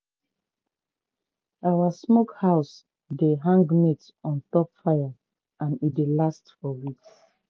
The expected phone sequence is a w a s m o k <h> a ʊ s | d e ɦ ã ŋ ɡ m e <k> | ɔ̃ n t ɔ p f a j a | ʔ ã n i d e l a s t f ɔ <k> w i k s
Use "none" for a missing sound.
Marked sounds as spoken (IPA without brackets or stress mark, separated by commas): h, t, none